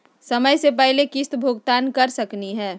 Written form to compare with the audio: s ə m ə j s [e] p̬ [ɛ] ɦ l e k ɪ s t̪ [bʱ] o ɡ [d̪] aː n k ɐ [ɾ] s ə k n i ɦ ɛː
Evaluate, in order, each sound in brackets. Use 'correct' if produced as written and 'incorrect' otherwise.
correct, correct, correct, incorrect, correct

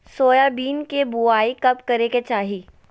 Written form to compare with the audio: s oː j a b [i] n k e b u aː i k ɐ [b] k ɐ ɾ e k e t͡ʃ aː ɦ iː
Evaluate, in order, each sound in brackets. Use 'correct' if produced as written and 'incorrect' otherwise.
incorrect, incorrect

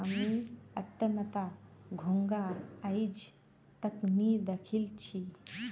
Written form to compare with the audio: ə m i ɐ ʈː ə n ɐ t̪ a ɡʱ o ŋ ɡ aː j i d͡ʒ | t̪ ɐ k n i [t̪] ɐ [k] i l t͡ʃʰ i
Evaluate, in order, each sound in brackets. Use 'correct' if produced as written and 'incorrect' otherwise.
incorrect, incorrect

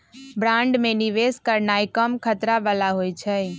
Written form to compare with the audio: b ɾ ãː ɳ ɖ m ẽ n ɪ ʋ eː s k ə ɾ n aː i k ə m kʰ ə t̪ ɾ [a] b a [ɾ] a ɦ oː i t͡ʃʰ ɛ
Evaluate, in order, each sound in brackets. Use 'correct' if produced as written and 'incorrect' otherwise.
correct, incorrect

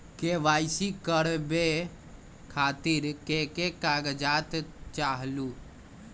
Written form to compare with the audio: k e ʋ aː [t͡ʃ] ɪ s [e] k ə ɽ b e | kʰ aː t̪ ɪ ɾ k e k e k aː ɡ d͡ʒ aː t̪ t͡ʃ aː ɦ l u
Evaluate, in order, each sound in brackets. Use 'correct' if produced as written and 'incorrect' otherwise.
incorrect, incorrect

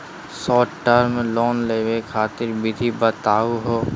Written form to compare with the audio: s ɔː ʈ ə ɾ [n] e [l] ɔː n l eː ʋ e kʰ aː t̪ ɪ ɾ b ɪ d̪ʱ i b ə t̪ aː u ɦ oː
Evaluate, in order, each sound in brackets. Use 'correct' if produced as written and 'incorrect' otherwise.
incorrect, correct

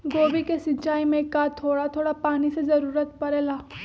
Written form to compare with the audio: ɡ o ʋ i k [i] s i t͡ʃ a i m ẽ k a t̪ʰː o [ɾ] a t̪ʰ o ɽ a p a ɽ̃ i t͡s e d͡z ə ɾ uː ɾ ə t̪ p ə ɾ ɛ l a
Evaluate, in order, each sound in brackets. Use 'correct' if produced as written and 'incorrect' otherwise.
incorrect, incorrect

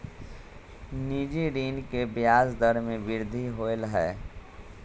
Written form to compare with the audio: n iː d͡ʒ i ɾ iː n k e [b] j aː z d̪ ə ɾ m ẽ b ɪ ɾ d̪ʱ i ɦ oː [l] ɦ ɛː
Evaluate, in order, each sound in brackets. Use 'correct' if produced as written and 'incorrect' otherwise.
correct, correct

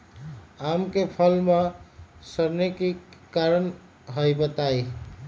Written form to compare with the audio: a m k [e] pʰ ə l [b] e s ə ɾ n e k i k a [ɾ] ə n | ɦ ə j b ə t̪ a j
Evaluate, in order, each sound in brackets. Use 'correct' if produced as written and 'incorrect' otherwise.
correct, incorrect, correct

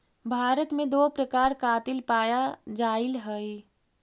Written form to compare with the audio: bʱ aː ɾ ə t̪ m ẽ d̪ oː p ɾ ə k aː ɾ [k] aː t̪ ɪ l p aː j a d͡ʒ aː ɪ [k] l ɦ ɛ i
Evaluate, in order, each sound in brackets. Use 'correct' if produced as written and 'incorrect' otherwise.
correct, incorrect

